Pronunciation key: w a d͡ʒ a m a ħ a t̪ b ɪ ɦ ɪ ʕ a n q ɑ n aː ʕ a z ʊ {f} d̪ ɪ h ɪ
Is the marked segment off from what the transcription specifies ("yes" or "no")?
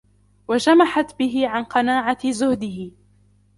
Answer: yes